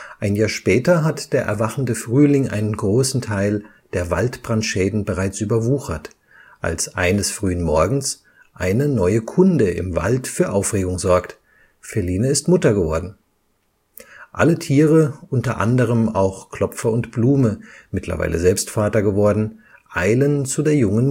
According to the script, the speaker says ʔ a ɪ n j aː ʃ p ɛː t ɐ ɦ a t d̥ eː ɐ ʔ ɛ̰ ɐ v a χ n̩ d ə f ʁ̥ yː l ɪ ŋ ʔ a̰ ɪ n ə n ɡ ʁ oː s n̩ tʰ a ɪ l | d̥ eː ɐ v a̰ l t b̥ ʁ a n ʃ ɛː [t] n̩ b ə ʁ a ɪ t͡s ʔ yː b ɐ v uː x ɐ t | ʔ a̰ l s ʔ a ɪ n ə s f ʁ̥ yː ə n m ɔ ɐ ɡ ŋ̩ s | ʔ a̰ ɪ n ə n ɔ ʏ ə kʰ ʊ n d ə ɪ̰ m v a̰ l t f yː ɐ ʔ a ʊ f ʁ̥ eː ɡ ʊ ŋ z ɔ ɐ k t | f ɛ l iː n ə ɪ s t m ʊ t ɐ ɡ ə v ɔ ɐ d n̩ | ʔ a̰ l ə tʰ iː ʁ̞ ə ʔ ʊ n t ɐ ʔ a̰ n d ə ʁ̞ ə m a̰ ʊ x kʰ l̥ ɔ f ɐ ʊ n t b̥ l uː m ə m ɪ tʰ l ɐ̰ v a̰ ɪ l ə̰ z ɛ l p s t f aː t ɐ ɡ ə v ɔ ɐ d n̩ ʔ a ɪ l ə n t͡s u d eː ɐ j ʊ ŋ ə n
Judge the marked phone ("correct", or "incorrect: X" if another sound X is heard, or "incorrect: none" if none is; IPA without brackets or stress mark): incorrect: d